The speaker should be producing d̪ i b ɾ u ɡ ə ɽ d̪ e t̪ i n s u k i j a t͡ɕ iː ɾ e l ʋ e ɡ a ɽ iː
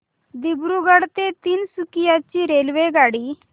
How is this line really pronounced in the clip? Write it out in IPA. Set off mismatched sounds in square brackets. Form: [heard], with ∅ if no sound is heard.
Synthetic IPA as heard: d̪ i b ɾ u ɡ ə ɽ [t̪] e t̪ [iː] n s u k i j a t͡ɕ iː ɾ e l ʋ e ɡ a ɽ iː